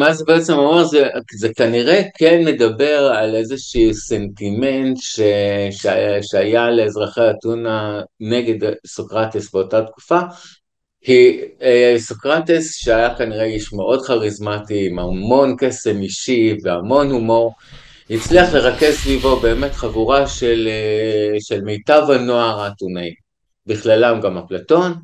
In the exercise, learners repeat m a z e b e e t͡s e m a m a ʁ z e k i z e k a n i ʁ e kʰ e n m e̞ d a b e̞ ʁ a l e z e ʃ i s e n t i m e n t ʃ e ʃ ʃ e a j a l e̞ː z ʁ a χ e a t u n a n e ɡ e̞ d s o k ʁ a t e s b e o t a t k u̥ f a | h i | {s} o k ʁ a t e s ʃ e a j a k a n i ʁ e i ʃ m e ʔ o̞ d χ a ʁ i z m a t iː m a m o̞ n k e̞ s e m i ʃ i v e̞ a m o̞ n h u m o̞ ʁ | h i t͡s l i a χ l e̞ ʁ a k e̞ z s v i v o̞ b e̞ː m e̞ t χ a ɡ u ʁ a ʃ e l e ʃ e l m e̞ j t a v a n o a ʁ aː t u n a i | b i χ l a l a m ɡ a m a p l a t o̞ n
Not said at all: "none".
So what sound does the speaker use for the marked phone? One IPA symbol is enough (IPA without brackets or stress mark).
s